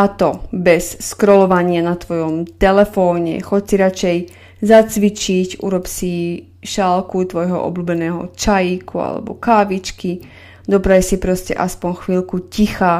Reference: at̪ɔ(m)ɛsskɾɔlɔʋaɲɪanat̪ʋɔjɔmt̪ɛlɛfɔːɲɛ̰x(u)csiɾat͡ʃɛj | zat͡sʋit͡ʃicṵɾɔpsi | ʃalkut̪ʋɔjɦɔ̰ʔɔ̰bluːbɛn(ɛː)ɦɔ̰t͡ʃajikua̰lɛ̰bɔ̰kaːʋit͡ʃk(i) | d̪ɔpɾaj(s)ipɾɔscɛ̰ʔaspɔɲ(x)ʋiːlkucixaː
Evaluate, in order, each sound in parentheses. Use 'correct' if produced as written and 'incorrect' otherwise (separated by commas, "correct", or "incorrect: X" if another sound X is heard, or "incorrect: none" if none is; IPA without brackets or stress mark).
incorrect: b, incorrect: ɔ, correct, correct, correct, correct